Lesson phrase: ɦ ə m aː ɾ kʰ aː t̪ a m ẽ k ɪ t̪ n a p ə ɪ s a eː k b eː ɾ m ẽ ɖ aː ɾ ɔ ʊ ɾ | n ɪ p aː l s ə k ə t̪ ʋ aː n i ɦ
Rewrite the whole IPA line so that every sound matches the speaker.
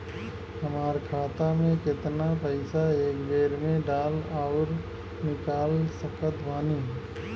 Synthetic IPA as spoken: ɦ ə m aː ɾ kʰ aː t̪ a m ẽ k ɪ t̪ n a p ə ɪ s a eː k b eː ɾ m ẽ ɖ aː l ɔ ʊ ɾ | n ɪ k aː l s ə k ə t̪ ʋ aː n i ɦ